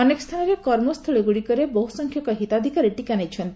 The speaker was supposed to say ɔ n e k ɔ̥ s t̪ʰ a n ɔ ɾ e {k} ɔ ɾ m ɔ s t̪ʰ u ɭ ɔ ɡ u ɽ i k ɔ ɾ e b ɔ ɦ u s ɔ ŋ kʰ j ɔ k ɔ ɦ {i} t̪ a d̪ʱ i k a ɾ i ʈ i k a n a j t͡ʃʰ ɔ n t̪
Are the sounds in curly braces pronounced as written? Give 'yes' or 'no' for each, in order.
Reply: yes, yes

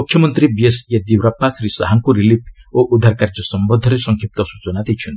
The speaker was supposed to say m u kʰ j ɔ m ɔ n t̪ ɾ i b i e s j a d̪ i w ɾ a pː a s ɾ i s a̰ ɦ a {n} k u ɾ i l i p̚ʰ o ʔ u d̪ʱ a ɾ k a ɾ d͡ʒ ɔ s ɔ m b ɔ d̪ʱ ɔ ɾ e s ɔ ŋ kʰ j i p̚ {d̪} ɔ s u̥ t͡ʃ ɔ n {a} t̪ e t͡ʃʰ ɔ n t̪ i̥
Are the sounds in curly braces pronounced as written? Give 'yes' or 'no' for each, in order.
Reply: no, no, yes

